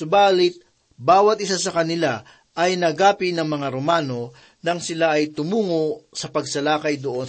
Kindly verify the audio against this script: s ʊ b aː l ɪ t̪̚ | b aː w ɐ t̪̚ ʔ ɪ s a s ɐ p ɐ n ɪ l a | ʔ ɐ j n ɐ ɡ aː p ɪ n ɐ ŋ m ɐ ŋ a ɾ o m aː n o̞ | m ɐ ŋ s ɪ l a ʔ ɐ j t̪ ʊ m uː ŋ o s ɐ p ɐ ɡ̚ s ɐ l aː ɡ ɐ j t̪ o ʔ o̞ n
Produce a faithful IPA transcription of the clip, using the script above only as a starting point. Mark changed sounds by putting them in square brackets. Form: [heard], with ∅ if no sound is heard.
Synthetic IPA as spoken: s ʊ b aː l ɪ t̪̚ | b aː w ɐ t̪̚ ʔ ɪ s a s ɐ [k] ɐ n ɪ l a | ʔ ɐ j n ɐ ɡ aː p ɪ n ɐ ŋ m ɐ ŋ a ɾ o m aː n o̞ | [n] ɐ ŋ s ɪ l a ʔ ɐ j t̪ ʊ m uː ŋ o s ɐ p ɐ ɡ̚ s ɐ l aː [k] ɐ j [d̪] o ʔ o̞ n